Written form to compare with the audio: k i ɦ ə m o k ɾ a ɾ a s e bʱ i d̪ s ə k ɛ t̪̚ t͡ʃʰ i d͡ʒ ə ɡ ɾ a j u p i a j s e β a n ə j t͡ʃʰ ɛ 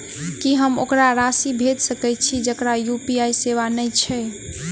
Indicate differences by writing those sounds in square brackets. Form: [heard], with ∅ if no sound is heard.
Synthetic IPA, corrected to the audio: k i ɦ ə m o k ɾ a ɾ a s [i] bʱ [e] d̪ s ə k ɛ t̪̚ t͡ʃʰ i d͡ʒ ə [k] ɾ a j u p i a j s e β a n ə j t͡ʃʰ ɛ